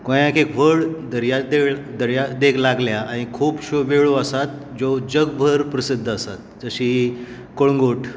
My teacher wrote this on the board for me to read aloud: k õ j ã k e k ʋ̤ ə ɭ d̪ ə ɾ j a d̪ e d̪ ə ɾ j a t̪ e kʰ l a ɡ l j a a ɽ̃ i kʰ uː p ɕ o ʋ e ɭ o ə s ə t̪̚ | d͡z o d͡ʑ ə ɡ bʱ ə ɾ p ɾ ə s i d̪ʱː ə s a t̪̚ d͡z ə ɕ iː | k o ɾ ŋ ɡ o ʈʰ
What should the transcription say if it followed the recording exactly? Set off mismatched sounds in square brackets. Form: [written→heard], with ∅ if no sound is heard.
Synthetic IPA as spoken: k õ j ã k e k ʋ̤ ə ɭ d̪ ə ɾ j a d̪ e d̪ ə ɾ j a [t̪→d̪] e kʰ l a ɡ l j a a ɽ̃ i kʰ uː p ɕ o ʋ e ɭ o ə s [ə→a] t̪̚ | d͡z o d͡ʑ ə ɡ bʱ ə ɾ p ɾ ə s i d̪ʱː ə s a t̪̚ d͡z ə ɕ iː | k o [ɾ→ɭ] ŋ ɡ o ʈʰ